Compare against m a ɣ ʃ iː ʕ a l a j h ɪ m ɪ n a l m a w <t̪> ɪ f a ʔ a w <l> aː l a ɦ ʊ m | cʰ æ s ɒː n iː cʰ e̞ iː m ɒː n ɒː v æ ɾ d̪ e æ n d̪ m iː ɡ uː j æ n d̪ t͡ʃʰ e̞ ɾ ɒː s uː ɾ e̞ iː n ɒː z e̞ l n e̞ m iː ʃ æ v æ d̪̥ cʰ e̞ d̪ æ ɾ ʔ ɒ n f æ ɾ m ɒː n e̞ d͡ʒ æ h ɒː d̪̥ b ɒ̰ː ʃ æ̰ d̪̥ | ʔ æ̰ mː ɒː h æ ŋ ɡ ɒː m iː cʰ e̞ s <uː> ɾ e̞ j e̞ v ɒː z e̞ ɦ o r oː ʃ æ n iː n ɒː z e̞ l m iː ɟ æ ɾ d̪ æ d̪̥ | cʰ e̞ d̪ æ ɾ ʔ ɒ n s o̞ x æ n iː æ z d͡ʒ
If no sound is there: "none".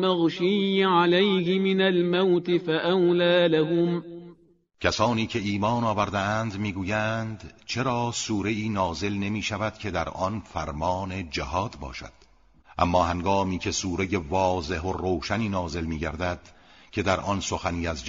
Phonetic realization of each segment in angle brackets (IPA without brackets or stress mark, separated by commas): t̪, l, uː